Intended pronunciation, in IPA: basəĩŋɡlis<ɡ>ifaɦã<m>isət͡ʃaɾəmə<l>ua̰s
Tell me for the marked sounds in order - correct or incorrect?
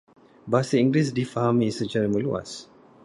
incorrect: d, correct, correct

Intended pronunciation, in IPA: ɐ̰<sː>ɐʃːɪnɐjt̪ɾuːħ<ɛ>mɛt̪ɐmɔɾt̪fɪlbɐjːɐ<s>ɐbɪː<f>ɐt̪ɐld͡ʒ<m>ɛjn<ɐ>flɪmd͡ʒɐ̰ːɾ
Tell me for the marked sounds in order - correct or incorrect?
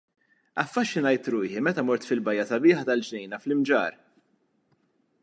incorrect: fː, incorrect: i, correct, incorrect: ħ, incorrect: n, correct

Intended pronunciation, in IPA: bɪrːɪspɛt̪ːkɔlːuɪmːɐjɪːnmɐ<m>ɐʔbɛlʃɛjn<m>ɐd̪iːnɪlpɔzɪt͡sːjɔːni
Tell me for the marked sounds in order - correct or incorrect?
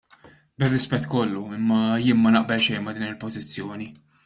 incorrect: n, correct

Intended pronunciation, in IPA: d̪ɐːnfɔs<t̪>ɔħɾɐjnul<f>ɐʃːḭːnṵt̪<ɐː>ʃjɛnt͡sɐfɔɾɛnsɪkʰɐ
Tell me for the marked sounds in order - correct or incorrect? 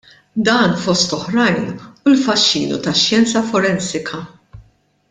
correct, correct, incorrect: ɐ

